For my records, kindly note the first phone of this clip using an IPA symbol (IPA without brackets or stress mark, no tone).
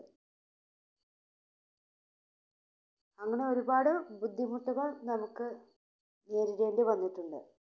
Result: ɐ